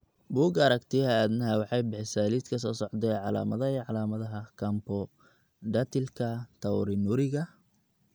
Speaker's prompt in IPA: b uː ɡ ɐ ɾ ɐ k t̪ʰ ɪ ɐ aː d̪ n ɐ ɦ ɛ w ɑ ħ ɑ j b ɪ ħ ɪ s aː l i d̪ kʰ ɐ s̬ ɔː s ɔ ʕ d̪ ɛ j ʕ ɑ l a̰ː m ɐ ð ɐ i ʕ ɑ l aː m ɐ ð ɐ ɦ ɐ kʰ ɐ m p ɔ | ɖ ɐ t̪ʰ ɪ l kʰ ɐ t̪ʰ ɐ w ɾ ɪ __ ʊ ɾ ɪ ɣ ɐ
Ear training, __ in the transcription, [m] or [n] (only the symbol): n